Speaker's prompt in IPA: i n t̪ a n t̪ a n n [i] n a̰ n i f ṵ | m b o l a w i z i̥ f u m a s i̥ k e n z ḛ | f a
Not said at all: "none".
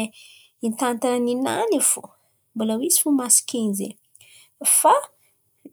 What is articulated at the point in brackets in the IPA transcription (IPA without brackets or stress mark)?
i